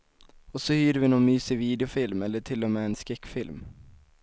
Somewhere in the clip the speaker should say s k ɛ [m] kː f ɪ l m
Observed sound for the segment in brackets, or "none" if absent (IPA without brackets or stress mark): none